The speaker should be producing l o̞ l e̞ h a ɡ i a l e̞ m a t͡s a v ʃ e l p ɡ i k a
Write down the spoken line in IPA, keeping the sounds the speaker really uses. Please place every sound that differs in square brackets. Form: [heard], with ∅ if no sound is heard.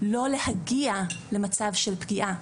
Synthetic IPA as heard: l o̞ l e̞ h a ɡ i a l e̞ m a t͡s a v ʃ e l p ɡ i [ʔ] a